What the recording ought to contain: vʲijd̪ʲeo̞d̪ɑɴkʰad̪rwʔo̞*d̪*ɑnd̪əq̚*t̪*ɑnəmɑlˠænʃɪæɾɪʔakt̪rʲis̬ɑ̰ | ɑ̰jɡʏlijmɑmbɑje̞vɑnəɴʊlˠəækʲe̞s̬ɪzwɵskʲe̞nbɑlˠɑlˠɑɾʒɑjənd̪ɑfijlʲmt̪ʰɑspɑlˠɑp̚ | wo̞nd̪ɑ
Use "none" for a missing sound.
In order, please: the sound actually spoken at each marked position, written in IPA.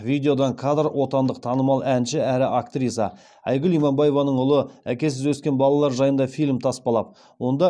t̪, t̪ʰ

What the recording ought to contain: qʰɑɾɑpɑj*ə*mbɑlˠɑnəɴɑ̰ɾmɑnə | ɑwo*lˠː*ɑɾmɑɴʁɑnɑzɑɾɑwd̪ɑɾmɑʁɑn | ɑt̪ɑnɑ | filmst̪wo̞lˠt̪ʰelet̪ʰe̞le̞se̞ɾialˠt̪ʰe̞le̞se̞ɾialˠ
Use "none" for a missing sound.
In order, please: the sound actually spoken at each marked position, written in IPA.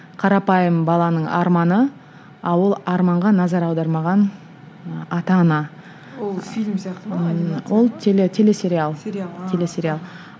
ə, lˠ

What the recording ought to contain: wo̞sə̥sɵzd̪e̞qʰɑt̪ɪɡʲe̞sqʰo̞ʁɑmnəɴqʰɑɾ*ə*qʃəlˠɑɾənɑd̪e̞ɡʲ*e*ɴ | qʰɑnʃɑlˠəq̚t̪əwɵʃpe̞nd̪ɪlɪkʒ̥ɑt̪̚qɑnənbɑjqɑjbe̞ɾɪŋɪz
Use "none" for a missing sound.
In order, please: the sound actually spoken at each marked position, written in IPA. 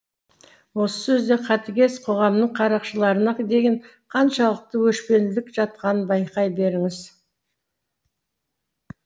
ɑ, e

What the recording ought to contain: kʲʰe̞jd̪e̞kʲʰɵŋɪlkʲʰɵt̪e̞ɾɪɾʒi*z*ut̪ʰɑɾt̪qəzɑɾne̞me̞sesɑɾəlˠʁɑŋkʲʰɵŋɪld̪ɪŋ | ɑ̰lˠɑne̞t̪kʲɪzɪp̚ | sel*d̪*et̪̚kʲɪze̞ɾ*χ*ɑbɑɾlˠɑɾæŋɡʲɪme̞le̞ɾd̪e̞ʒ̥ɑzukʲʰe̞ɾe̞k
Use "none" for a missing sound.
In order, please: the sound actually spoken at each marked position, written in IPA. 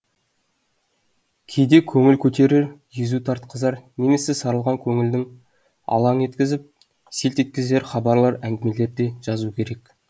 z, t̪, χ

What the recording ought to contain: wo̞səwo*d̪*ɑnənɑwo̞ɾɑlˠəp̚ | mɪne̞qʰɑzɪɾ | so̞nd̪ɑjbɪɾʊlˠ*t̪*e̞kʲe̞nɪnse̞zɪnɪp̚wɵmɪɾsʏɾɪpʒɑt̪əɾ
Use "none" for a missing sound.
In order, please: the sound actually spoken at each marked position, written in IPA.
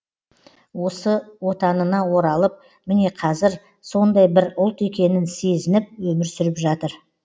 t̪, t̪

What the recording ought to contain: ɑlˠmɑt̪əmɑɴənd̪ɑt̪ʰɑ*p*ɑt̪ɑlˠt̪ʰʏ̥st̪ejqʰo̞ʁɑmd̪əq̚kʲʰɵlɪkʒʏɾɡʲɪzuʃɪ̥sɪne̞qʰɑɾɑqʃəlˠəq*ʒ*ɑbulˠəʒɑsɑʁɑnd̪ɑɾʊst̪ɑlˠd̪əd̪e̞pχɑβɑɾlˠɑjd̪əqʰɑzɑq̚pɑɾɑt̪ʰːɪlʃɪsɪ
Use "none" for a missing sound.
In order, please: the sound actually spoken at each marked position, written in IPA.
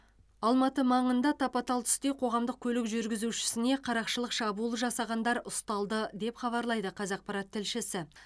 p, ʃ

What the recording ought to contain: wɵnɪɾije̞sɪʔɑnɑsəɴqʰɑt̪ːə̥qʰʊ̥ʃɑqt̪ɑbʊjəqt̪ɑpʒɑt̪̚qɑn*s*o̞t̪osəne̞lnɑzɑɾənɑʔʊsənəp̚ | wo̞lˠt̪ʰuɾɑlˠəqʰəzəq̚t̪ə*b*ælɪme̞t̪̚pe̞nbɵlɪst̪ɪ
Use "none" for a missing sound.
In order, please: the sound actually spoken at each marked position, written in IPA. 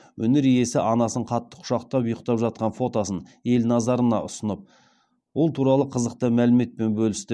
f, m

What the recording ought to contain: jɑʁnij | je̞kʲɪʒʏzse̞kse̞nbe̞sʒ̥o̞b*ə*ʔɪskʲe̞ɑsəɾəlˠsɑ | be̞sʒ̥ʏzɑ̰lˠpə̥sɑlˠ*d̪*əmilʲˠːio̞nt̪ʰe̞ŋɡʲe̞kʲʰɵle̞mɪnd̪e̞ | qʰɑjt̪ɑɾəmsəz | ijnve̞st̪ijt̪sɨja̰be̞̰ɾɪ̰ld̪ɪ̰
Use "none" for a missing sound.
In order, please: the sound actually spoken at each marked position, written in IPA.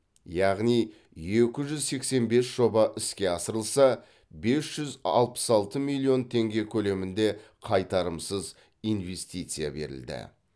ɑ, t̪

